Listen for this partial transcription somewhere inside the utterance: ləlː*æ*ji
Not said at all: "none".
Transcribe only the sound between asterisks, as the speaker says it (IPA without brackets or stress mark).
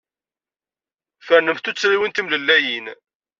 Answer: æ